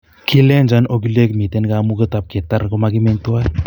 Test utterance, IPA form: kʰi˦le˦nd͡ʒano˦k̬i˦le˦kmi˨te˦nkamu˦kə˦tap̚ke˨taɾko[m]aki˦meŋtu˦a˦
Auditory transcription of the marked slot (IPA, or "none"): m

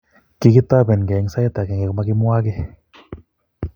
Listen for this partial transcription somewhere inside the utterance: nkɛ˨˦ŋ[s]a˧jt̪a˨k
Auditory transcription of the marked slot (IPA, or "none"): s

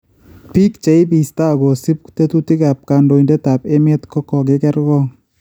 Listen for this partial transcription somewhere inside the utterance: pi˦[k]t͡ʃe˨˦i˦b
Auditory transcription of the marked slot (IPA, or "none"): k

